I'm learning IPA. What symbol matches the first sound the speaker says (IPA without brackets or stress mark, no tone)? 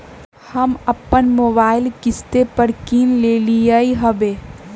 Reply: h